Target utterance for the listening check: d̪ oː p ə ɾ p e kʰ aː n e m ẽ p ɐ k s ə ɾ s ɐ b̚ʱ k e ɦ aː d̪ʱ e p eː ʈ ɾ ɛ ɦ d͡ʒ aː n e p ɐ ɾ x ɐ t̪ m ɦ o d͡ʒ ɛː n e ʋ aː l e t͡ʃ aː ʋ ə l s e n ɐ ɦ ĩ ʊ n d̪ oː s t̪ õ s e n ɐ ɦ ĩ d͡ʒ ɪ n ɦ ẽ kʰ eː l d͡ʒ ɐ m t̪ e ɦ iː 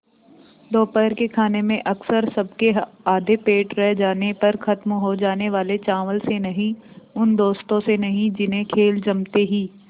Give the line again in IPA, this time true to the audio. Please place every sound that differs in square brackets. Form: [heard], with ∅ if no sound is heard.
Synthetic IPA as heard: d̪ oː p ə ɾ [k] e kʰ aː n e m ẽ [ʔ] ɐ k s ə ɾ s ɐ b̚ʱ k e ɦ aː d̪ʱ e p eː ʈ ɾ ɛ ɦ d͡ʒ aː n e p ɐ ɾ x ɐ t̪ m ɦ o d͡ʒ [aː] n e ʋ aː l e t͡ʃ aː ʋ ə l s e n ɐ ɦ ĩ ʊ n d̪ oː s t̪ õ s e n ɐ ɦ ĩ d͡ʒ ɪ n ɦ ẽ kʰ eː l d͡ʒ ɐ m t̪ e ɦ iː